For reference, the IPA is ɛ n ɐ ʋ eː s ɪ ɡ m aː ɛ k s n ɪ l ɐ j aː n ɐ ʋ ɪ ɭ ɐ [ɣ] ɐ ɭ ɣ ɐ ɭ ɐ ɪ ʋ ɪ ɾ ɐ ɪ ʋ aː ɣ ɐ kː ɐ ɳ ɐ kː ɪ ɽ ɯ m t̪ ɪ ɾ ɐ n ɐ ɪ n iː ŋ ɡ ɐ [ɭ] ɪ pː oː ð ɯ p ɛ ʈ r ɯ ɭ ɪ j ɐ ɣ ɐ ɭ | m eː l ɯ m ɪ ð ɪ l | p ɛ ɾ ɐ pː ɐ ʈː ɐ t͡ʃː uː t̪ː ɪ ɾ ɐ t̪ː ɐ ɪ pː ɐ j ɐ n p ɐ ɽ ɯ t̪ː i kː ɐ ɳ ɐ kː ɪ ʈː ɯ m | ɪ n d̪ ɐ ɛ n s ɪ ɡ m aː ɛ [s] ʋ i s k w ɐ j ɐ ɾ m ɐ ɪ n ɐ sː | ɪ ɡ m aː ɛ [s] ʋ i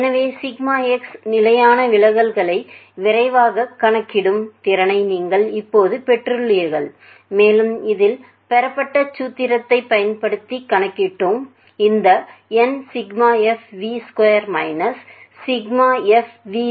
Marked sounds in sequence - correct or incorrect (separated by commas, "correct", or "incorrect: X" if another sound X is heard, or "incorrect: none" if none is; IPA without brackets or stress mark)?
correct, correct, incorrect: f, incorrect: f